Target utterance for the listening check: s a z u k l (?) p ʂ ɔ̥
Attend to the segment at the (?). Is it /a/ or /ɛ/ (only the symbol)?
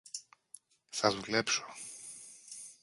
ɛ